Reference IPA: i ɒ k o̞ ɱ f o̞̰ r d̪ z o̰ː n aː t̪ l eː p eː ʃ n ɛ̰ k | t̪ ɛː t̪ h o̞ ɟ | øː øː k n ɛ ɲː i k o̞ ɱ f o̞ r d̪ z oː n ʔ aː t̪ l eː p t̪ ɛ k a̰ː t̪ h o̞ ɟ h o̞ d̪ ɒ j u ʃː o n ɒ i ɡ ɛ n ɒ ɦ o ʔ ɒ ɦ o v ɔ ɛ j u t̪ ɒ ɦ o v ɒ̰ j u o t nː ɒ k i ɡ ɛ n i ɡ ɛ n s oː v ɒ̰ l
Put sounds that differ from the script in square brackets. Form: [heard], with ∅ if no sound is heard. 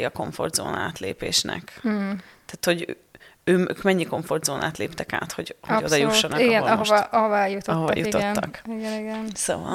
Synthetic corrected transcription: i ɒ k o̞ ɱ f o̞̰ r d̪ z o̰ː n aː t̪ l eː p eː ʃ n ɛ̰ k | t̪ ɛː t̪ h o̞ ɟ | øː øː k [m] ɛ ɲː i k o̞ ɱ f o̞ r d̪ z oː n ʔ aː t̪ l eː p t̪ ɛ k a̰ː t̪ h o̞ ɟ h o̞ d̪ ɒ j u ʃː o n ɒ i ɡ ɛ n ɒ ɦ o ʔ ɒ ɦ o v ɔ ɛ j u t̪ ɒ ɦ o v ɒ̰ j u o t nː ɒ k i ɡ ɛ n i ɡ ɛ n s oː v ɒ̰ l